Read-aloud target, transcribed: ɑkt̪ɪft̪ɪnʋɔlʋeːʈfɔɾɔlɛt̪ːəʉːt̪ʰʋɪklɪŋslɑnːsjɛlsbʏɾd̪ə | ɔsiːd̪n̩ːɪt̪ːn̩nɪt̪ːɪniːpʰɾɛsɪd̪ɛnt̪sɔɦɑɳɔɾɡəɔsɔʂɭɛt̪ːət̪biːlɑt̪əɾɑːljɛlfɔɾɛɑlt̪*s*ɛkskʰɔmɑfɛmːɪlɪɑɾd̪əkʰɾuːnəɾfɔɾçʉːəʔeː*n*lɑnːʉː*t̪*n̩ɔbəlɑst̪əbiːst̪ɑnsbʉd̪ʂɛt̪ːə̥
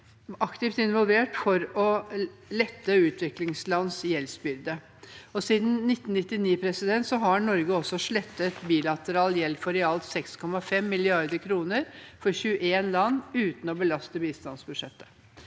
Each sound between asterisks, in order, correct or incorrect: correct, correct, correct

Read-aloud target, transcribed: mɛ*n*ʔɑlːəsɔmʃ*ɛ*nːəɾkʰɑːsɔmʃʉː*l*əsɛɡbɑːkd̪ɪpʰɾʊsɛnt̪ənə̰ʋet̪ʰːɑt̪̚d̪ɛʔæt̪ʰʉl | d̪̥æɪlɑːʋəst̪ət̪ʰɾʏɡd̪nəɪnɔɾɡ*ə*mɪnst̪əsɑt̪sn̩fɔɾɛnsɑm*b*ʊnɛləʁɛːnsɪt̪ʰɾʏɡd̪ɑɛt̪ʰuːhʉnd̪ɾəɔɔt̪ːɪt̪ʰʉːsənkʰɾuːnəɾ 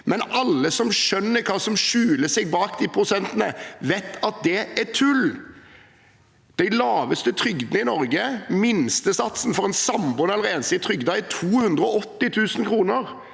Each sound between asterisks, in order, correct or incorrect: correct, incorrect: œ, correct, correct, correct

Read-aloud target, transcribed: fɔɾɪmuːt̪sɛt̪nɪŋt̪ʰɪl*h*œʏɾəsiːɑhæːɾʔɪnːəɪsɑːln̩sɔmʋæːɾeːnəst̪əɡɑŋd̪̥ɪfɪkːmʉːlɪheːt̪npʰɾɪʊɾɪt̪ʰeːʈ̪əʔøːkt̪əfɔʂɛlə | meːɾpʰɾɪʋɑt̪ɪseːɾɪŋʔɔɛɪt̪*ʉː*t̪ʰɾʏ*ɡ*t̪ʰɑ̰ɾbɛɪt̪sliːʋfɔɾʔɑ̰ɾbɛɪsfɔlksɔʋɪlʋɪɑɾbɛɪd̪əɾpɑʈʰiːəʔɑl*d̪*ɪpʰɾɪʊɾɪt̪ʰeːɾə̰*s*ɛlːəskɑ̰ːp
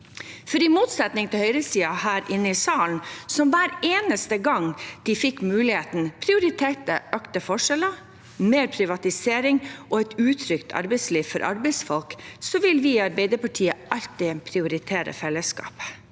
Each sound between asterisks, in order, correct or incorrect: correct, correct, incorrect: k, incorrect: t̪, incorrect: f

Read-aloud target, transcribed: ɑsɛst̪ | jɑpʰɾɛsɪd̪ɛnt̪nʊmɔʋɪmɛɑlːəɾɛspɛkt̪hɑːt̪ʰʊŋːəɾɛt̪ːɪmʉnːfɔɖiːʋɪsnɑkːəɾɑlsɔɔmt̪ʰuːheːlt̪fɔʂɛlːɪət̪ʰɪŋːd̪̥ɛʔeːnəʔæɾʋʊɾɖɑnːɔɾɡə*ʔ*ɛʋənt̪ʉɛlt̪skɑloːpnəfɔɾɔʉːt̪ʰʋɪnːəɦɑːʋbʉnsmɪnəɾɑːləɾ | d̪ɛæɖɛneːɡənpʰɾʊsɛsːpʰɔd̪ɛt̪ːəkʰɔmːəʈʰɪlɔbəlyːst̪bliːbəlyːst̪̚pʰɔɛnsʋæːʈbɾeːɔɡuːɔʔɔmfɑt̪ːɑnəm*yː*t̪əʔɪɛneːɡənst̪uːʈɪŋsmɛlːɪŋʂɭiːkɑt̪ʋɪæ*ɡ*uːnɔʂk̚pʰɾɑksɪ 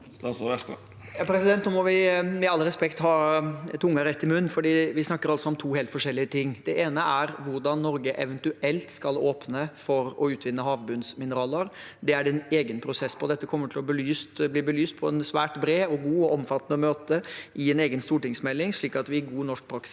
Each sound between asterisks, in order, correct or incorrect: correct, incorrect: øː, correct

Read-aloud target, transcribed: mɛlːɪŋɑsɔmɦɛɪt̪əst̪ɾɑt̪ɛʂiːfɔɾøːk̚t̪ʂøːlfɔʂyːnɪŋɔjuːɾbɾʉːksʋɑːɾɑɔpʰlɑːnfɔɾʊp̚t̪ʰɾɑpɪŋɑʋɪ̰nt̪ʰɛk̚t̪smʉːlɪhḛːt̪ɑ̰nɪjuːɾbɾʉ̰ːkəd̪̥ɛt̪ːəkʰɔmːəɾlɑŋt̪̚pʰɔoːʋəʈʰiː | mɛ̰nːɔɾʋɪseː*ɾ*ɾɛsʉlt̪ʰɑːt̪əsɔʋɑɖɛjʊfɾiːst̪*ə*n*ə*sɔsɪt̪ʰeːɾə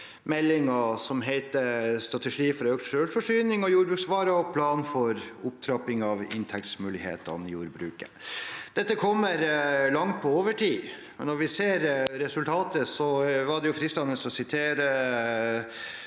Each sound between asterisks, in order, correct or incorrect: correct, incorrect: ɑ, correct

